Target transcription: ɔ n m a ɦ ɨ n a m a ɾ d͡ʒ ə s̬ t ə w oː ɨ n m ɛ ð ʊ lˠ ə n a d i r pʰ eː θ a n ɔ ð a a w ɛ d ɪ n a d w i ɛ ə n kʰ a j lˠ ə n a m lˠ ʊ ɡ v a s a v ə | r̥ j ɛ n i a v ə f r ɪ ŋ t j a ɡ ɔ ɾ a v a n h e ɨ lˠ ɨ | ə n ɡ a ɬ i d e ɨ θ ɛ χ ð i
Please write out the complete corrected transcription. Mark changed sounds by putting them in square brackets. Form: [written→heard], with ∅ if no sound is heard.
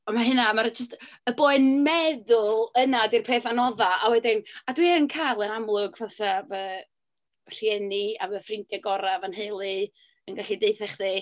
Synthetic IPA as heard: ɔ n m a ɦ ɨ n a m a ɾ d͡ʒ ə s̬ t ə [w→b] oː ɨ n m ɛ ð ʊ lˠ ə n a d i r pʰ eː θ a n ɔ ð a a w ɛ d ɪ n a d w i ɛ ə n kʰ a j lˠ ə n a m lˠ ʊ ɡ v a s a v ə | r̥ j ɛ n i a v ə f r ɪ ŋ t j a ɡ ɔ ɾ a v a n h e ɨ lˠ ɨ | ə n ɡ a ɬ i d e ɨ θ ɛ χ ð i